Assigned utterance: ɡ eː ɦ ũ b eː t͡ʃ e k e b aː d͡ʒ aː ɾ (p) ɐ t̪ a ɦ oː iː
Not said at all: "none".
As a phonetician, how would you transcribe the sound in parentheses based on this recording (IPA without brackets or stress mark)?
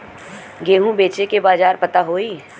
p